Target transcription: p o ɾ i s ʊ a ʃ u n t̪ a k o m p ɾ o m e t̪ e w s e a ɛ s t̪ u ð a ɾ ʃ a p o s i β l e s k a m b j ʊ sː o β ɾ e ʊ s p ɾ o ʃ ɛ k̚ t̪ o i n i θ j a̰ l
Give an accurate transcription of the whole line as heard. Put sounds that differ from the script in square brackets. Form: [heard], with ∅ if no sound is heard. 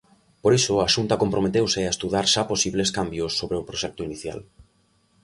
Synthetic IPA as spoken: p o ɾ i s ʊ a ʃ u n t̪ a k o m p ɾ o m e t̪ e w s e a [e] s t̪ u ð a ɾ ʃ a p o s i β l e s k a m b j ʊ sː o β ɾ e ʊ [∅] p ɾ o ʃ ɛ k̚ t̪ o i n i θ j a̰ l